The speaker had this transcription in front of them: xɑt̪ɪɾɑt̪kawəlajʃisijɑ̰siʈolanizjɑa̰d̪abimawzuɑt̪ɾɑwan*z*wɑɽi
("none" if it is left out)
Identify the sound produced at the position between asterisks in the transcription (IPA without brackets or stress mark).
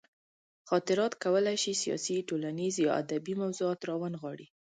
ɣ